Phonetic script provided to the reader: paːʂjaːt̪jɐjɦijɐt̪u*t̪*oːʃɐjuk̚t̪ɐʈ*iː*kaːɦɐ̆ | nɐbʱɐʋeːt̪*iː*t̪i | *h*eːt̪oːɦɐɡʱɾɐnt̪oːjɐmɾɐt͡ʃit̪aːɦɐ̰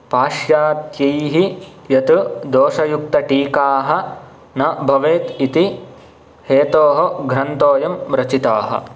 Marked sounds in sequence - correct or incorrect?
incorrect: d̪, correct, incorrect: i, correct

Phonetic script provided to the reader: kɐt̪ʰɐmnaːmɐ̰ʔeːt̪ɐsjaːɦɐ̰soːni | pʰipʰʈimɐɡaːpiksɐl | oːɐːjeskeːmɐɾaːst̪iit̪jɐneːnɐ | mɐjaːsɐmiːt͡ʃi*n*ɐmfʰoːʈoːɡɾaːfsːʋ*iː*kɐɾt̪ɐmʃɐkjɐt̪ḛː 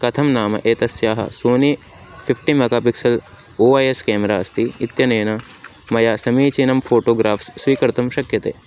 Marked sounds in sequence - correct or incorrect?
correct, correct

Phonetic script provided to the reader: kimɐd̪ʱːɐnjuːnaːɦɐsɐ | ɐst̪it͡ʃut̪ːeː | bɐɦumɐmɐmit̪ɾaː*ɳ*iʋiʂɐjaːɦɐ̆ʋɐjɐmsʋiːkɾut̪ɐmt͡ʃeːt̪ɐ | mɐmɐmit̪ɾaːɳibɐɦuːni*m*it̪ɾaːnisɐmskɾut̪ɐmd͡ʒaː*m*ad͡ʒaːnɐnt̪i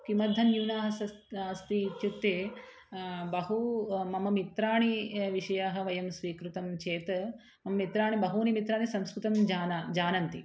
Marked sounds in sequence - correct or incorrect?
correct, correct, incorrect: n

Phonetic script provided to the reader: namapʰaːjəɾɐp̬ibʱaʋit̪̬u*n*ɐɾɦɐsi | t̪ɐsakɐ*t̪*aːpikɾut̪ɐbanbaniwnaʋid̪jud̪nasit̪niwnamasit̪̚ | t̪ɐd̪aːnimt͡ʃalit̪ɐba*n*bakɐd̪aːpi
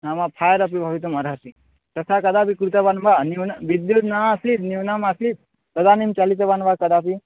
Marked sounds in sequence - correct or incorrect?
incorrect: m, incorrect: d̪, correct

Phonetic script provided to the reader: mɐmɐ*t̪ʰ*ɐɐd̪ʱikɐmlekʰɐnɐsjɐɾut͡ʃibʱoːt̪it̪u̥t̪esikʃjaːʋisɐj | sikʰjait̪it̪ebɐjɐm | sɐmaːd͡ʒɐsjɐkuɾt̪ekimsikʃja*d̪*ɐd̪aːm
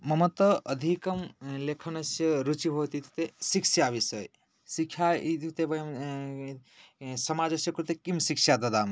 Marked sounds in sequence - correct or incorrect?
incorrect: t̪, correct

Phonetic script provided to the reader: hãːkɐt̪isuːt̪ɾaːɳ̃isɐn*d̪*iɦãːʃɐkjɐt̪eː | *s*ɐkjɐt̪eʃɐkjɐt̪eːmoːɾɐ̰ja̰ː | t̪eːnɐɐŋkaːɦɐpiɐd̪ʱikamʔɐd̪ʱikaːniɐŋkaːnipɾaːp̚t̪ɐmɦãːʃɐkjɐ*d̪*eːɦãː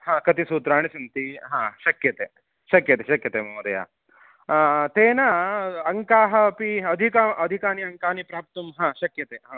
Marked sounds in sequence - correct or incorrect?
incorrect: t̪, incorrect: ʃ, incorrect: t̪

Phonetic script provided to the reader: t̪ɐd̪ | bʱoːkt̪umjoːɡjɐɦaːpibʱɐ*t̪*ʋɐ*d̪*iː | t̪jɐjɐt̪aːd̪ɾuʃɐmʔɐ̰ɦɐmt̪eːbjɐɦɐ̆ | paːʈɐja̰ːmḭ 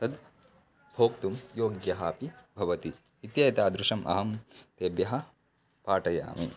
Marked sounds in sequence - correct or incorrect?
incorrect: none, incorrect: t̪

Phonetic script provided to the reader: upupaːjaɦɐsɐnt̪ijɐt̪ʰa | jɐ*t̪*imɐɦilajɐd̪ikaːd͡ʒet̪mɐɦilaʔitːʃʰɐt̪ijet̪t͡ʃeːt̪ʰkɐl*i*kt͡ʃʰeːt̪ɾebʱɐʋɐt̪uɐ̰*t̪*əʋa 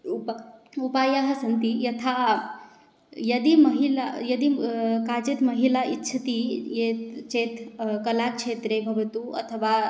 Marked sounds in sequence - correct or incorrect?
incorrect: d̪, incorrect: a, incorrect: t̪ʰ

